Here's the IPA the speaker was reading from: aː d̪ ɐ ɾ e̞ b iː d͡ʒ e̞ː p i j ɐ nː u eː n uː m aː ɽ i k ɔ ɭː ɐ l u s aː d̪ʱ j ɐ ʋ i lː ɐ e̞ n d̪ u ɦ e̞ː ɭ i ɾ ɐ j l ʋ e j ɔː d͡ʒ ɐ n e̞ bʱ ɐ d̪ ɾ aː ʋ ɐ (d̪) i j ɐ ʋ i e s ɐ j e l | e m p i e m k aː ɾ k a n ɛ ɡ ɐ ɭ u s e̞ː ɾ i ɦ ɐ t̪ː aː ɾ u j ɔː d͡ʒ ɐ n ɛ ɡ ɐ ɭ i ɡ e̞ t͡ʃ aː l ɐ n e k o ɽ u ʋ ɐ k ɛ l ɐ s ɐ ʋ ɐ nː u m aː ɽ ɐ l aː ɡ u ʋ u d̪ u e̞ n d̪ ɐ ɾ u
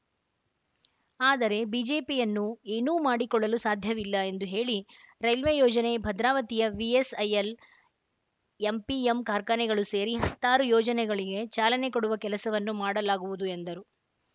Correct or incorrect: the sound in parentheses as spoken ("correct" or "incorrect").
incorrect